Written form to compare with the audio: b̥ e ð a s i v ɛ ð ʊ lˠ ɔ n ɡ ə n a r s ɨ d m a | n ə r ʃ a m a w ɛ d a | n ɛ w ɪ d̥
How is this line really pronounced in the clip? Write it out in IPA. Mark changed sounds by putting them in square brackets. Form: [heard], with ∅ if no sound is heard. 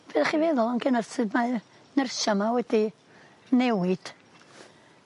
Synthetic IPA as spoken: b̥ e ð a [χ] i v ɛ ð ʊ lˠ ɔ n ɡ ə n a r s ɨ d m a | n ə r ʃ a m a w ɛ d [i] | n ɛ w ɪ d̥